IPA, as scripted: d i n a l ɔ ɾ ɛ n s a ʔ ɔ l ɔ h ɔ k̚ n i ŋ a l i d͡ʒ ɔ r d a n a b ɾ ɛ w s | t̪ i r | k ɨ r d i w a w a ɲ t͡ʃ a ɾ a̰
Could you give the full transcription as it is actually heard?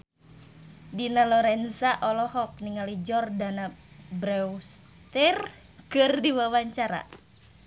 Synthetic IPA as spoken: d i n a l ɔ ɾ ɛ n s a ʔ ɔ l ɔ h ɔ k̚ n i ŋ a l i d͡ʒ ɔ r d a n a b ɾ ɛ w s | t̪ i r | k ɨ r d i w a w a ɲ t͡ʃ a ɾ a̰